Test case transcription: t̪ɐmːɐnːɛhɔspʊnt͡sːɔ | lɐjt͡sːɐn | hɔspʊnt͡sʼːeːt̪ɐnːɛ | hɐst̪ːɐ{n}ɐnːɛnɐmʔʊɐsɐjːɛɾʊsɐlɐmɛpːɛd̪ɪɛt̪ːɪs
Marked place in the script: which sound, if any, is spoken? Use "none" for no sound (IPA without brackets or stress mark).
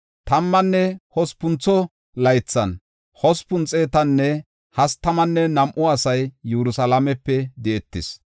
m